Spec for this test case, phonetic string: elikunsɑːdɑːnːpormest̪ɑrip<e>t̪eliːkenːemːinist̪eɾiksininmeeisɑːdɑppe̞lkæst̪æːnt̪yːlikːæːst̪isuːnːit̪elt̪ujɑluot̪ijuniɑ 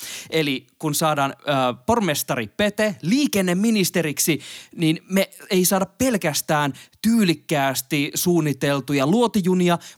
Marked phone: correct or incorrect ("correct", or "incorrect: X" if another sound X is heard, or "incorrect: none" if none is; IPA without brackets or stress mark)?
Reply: correct